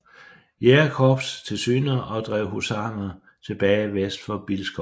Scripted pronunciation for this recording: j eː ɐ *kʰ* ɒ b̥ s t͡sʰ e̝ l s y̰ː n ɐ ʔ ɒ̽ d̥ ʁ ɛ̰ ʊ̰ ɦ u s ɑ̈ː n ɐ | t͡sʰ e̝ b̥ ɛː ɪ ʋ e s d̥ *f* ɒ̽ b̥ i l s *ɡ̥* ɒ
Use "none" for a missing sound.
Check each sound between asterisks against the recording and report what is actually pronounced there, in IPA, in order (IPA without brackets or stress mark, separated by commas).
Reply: kʰ, f, ɡ̥